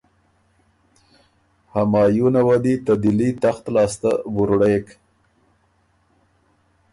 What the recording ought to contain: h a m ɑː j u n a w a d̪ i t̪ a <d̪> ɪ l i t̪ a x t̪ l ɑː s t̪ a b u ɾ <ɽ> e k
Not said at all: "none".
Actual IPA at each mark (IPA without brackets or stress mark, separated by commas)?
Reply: d̪, ɽ